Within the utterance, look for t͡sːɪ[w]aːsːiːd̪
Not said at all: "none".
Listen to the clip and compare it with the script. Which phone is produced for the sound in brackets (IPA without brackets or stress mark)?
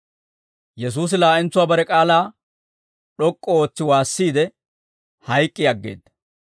w